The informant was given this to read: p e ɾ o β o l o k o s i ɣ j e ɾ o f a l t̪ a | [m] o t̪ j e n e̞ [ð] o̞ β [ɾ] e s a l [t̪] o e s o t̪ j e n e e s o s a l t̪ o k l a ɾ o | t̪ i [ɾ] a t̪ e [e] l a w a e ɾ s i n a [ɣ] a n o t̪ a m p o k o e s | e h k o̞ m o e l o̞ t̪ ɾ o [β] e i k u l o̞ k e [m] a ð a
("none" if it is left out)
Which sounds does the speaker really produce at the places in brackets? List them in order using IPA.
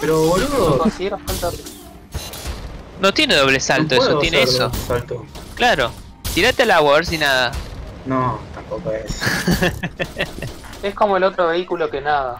n, ð, l, t̪, ɾ, a, ð, β, n

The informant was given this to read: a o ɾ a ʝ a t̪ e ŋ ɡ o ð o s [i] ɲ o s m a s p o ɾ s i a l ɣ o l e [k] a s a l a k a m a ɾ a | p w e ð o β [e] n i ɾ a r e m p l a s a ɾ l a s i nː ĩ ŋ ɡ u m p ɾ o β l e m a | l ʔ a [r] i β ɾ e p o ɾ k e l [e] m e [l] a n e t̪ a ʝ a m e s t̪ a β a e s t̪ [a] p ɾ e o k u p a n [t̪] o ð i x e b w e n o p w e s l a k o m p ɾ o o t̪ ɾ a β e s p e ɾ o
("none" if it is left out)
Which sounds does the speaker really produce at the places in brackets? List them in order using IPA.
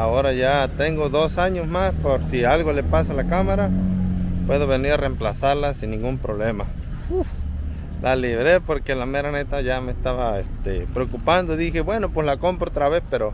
a, p, e, l, a, ɾ, e, d̪

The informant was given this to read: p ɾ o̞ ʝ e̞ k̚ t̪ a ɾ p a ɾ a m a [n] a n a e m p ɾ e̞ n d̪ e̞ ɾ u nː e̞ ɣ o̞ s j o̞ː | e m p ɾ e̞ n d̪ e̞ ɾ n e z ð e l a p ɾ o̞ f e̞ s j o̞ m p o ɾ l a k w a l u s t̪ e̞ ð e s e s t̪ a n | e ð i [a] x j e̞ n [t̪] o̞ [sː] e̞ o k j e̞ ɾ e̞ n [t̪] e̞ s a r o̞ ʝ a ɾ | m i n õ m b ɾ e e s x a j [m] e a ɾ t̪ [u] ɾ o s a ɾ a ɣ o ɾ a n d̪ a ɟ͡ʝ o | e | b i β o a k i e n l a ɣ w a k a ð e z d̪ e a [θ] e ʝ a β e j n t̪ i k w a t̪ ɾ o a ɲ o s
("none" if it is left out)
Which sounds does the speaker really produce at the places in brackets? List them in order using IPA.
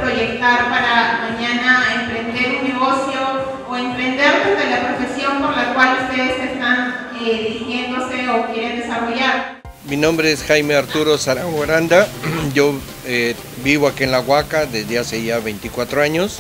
ɲ, i, d̪, s, d̪, m, u, s

